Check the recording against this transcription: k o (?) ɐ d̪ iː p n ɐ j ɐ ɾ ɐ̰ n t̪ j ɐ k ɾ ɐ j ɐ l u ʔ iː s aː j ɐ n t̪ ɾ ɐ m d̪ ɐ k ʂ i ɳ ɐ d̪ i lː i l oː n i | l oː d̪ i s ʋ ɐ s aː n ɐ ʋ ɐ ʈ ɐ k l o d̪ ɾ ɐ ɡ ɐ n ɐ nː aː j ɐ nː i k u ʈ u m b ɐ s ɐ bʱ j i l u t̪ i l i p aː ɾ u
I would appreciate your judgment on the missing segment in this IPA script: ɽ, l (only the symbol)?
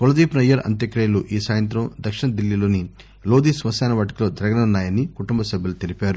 l